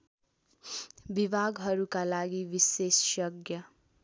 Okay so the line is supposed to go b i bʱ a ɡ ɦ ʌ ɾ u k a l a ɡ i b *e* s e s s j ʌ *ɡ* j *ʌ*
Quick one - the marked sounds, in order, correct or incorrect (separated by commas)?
incorrect, correct, correct